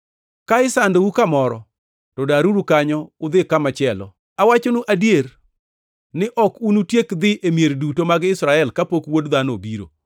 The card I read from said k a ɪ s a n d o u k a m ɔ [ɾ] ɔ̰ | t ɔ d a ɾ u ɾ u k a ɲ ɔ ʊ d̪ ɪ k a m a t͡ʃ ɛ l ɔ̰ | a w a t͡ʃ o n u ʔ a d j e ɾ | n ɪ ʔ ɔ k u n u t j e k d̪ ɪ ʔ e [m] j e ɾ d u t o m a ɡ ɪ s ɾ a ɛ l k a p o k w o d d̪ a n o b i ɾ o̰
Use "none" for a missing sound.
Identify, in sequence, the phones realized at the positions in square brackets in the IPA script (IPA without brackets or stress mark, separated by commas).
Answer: ɾ, m